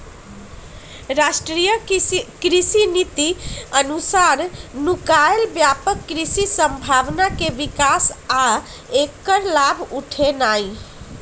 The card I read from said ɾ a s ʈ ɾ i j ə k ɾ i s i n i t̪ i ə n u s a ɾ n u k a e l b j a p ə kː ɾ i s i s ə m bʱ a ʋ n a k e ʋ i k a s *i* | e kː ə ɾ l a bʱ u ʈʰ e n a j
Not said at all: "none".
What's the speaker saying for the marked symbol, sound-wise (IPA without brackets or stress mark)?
a